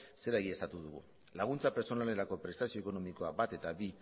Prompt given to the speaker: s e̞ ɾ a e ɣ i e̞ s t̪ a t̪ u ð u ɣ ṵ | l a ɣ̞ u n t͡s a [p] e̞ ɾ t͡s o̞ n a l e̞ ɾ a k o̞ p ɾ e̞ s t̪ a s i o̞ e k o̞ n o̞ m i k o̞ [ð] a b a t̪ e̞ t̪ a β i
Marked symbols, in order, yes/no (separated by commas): yes, no